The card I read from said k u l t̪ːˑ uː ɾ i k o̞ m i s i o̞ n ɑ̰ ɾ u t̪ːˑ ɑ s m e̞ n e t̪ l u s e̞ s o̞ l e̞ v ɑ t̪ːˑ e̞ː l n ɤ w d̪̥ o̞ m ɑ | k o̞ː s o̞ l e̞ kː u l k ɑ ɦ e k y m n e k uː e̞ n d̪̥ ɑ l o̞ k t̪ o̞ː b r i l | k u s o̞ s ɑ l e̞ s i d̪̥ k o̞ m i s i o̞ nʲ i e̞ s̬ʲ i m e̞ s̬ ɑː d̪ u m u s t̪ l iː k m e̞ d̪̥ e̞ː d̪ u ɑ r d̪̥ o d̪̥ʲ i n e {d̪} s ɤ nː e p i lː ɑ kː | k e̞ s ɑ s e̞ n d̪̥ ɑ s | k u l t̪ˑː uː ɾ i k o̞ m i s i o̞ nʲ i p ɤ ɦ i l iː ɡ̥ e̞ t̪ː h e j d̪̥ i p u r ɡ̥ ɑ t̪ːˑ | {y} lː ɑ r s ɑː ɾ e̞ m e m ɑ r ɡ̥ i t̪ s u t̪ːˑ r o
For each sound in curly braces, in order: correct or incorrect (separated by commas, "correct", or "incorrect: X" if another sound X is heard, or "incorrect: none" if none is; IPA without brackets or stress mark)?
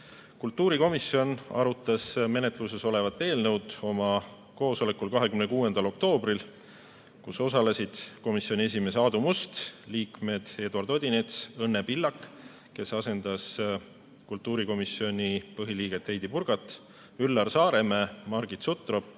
incorrect: t̪, correct